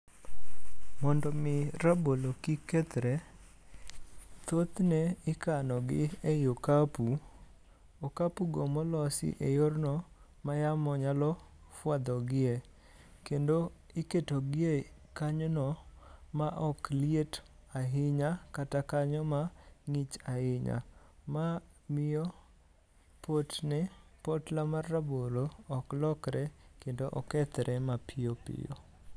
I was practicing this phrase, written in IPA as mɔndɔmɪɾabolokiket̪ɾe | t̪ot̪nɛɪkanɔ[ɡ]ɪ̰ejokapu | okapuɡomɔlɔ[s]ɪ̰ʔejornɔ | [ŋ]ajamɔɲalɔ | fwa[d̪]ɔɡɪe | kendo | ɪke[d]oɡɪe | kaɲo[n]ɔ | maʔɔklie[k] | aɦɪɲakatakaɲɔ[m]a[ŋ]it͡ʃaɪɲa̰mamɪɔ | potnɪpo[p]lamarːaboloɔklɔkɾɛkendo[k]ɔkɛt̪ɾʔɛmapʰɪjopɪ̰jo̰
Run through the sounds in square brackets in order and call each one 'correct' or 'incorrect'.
correct, correct, incorrect: m, correct, incorrect: t, correct, incorrect: t, correct, correct, incorrect: t, incorrect: ʔ

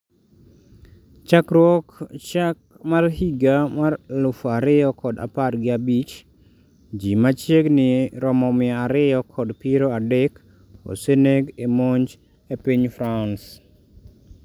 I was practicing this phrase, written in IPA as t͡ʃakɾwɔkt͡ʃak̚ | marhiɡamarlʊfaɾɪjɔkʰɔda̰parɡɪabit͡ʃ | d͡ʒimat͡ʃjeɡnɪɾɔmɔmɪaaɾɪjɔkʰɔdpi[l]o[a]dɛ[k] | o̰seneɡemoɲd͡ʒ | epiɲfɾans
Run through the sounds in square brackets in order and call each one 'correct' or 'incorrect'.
incorrect: ɾ, correct, correct

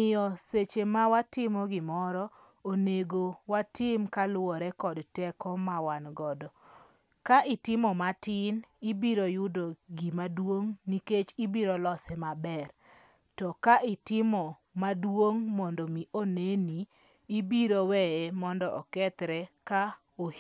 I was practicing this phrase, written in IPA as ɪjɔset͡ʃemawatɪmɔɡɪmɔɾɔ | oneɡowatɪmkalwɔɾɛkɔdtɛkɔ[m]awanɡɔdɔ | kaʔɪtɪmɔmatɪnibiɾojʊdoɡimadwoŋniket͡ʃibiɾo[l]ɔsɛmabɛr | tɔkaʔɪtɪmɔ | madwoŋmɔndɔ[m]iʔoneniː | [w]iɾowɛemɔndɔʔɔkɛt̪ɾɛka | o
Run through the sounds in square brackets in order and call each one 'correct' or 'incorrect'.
correct, correct, correct, incorrect: b

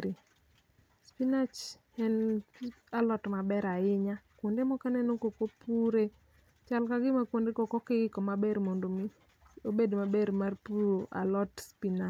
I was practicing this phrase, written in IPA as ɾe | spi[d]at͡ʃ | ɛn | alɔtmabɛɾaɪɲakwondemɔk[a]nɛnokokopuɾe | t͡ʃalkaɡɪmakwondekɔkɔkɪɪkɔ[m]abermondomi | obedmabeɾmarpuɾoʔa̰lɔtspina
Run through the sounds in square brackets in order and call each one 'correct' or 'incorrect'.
incorrect: n, correct, correct

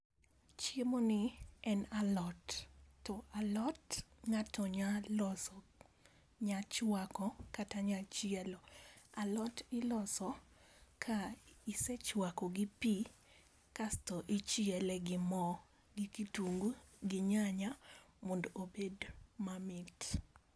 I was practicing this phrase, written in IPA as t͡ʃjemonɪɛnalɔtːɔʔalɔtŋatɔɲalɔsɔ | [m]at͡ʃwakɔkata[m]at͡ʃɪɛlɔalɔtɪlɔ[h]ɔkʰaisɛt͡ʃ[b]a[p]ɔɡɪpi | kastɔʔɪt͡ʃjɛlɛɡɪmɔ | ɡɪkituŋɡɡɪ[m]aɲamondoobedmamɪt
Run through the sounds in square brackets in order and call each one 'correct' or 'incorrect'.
incorrect: ɲ, incorrect: ɲ, incorrect: s, incorrect: w, incorrect: k, incorrect: ɲ

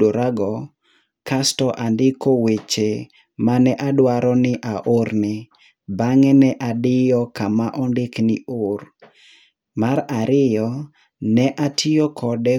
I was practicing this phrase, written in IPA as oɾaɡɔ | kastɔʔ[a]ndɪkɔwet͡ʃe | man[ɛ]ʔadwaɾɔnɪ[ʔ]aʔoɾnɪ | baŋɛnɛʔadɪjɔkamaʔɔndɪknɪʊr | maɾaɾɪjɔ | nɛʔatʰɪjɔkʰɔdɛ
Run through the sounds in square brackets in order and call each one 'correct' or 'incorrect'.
correct, correct, correct

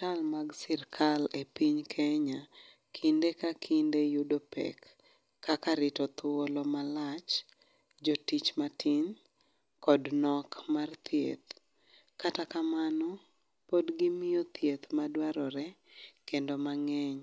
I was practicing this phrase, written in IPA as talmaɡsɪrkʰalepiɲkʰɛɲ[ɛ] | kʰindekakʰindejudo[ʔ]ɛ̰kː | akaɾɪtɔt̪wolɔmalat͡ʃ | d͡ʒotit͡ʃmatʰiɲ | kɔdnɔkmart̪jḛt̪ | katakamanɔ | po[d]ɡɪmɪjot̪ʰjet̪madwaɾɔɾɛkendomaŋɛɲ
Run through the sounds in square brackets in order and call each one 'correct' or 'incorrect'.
incorrect: a, incorrect: p, correct

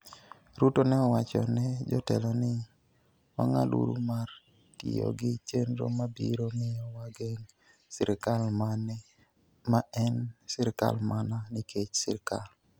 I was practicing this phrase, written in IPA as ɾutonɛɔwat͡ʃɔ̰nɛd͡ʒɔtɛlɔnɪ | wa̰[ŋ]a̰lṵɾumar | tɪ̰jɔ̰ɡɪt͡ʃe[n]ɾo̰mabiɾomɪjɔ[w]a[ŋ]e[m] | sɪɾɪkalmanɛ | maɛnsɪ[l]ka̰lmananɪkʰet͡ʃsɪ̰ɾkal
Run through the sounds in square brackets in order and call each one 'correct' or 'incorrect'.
correct, correct, correct, incorrect: ɡ, incorrect: ŋ, incorrect: ɾ

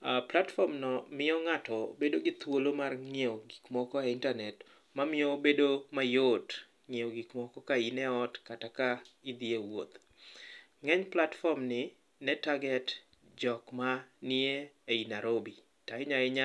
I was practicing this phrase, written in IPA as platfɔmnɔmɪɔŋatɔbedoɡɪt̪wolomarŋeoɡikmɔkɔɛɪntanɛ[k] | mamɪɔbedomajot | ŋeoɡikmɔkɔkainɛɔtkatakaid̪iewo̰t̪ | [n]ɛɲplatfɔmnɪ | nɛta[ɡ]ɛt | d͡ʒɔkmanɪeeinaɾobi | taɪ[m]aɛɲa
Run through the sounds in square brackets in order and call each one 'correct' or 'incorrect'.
incorrect: t, incorrect: ŋ, correct, incorrect: ɲ

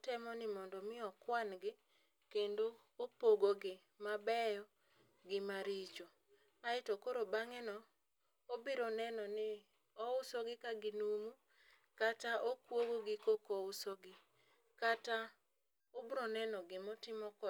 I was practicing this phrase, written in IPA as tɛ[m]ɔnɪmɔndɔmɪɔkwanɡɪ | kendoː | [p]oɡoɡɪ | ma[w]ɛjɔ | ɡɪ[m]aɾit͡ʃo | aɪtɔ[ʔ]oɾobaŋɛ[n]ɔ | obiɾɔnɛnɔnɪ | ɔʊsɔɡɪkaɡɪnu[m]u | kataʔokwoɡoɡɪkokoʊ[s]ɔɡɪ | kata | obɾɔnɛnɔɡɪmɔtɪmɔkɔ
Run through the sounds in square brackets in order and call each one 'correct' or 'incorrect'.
correct, correct, incorrect: b, correct, incorrect: k, correct, correct, correct

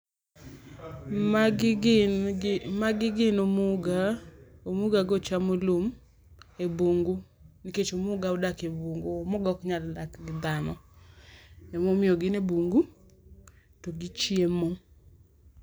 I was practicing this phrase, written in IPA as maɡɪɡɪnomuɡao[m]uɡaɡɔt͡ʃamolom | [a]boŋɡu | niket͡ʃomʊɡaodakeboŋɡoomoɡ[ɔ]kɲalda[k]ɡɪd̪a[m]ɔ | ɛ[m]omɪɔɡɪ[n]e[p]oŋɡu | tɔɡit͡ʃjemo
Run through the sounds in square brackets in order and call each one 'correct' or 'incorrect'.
correct, incorrect: e, correct, correct, incorrect: n, correct, correct, incorrect: b

